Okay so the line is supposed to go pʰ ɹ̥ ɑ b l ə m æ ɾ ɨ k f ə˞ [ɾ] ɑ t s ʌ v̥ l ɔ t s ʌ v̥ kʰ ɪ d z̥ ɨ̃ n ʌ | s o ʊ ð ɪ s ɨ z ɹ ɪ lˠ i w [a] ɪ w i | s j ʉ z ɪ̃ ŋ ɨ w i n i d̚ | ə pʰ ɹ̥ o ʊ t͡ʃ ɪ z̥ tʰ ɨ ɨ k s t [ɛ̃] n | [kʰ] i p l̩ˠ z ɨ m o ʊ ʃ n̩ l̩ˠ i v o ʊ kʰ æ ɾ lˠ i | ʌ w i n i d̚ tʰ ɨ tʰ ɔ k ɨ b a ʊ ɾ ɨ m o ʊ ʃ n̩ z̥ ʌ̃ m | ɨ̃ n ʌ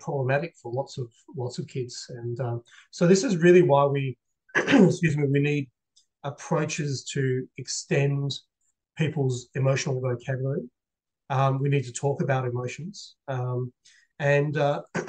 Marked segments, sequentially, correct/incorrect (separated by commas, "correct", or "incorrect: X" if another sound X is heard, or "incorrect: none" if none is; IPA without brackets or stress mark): incorrect: l, correct, correct, incorrect: pʰ